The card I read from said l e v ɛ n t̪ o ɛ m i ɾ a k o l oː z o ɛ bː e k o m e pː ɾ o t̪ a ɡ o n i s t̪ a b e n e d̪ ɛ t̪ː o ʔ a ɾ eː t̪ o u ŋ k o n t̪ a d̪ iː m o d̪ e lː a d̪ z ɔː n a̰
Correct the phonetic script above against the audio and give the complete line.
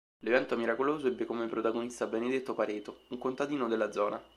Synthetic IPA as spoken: l e v ɛ n t̪ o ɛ m i ɾ a k o l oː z o ɛ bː e k o m e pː ɾ o t̪ a ɡ o n i s t̪ a b e n e d̪ e t̪ː o p a ɾ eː t̪ o u ŋ k o n t̪ a d̪ iː n o d̪ e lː a d̪ z ɔː n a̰